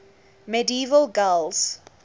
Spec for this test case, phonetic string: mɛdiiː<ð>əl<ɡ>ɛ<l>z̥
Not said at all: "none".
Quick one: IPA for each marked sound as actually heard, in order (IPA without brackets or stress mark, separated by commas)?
v, ɡ, l